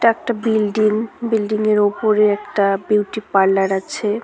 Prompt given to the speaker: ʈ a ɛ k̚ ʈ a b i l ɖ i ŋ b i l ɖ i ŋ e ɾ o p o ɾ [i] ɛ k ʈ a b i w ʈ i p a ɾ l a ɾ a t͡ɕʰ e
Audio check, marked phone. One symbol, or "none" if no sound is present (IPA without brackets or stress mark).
e